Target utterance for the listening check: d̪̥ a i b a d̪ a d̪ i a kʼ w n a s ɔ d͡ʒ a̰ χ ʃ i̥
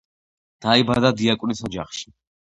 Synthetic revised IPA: d̪̥ a i b a d̪ a d̪ i a kʼ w n i s ɔ d͡ʒ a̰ χ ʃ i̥